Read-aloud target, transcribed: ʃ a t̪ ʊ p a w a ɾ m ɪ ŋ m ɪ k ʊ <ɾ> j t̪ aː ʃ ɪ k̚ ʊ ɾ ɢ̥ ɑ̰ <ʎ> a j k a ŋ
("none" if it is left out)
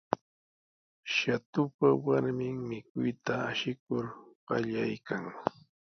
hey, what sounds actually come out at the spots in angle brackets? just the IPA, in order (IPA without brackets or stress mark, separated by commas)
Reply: none, ʎ